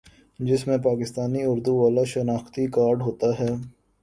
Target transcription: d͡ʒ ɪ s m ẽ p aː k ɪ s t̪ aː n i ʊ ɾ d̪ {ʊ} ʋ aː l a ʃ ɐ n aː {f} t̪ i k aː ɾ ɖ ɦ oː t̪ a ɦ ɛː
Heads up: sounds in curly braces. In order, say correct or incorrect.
incorrect, incorrect

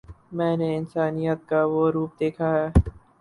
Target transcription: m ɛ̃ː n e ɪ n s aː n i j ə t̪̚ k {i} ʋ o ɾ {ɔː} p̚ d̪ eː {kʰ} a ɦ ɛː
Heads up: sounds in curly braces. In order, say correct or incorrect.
incorrect, incorrect, correct

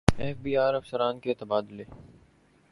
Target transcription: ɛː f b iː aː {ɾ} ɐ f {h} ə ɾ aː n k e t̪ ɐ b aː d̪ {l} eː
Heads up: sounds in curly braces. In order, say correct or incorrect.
correct, incorrect, correct

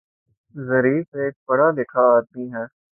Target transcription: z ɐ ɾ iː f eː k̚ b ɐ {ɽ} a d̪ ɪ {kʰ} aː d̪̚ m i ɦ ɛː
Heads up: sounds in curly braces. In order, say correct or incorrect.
correct, correct

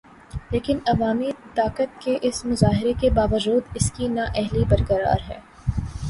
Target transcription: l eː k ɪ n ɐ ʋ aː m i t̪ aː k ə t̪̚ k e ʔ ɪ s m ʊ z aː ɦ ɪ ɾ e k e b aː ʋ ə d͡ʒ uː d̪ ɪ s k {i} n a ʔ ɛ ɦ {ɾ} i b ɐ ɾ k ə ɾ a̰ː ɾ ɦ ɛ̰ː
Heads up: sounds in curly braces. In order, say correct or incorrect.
correct, incorrect

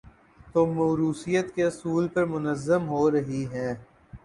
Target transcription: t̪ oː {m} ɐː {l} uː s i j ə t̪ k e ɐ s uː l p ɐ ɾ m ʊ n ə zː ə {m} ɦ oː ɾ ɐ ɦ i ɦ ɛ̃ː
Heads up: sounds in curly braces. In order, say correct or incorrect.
correct, incorrect, correct

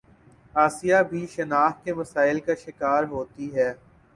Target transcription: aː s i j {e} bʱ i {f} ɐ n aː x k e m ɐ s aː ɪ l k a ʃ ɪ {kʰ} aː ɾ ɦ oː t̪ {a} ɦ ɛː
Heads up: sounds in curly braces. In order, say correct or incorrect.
incorrect, incorrect, incorrect, incorrect

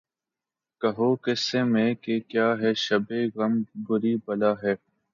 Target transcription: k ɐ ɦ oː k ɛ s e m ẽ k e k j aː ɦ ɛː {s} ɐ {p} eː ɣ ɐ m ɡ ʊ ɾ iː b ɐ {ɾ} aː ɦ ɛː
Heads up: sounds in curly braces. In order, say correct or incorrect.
incorrect, incorrect, incorrect

